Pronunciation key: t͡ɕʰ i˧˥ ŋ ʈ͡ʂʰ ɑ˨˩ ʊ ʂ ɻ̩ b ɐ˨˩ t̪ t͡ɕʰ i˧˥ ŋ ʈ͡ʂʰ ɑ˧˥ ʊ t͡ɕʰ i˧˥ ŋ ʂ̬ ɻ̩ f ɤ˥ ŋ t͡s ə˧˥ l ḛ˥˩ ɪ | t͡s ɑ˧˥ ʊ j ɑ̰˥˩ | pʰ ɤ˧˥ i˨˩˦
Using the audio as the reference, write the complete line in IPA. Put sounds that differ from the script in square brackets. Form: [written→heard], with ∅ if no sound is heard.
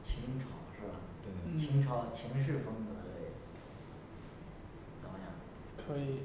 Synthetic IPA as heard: t͡ɕʰ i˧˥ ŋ ʈ͡ʂʰ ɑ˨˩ ʊ ʂ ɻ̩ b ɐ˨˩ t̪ t͡ɕʰ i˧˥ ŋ ʈ͡ʂʰ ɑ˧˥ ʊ t͡ɕʰ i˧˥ ŋ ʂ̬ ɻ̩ f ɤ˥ ŋ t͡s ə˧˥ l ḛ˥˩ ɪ | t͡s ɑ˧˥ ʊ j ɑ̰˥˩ | [pʰ→kʰ] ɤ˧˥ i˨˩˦